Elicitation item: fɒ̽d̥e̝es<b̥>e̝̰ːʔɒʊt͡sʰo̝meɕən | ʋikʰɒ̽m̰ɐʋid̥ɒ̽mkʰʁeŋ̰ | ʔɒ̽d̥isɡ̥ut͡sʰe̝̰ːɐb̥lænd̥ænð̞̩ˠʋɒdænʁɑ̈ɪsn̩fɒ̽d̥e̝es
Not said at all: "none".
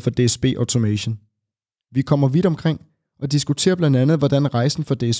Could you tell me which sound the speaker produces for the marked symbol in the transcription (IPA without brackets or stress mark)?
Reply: b̥